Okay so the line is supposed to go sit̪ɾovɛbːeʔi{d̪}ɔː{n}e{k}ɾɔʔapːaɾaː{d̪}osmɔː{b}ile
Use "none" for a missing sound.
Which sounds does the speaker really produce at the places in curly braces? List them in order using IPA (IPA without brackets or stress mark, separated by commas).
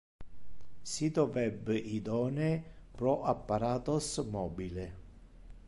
d̪, n, p, t̪, b